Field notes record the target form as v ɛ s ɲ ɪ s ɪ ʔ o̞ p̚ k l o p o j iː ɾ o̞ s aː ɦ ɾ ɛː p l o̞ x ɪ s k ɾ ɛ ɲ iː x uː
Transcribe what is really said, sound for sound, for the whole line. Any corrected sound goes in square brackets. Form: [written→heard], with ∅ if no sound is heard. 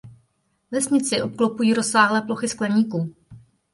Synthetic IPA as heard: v ɛ s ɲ ɪ [s→t͡s] ɪ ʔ o̞ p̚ k l o p [o→u] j iː ɾ o̞ s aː ɦ [ɾ→l] ɛː p l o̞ x ɪ s k [ɾ→l] ɛ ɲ iː [x→k] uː